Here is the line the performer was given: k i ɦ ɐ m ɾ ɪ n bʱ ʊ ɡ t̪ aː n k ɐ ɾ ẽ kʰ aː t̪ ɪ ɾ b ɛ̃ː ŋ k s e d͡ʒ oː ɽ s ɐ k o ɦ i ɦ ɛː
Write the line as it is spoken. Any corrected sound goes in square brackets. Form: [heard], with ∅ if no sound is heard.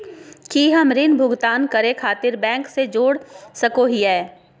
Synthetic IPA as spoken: k i ɦ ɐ m ɾ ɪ n bʱ ʊ ɡ t̪ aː n k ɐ ɾ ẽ kʰ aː t̪ ɪ ɾ b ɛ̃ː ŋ k s e d͡ʒ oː ɽ s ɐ k o ɦ i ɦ ɛː